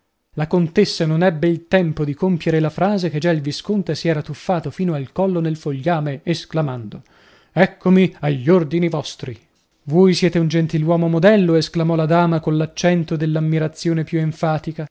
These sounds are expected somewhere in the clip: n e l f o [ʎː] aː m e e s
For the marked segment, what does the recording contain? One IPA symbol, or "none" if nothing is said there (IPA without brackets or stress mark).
ʎː